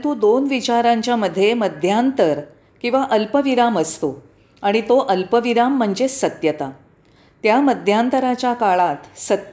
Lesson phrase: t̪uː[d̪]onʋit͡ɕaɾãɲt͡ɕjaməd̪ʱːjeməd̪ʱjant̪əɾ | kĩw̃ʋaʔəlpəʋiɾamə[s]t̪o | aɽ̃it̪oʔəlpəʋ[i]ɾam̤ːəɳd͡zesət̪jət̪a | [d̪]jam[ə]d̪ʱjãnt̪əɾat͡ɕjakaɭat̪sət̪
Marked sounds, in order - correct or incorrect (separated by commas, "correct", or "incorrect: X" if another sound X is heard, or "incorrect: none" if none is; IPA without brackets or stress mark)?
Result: correct, correct, correct, incorrect: t̪, correct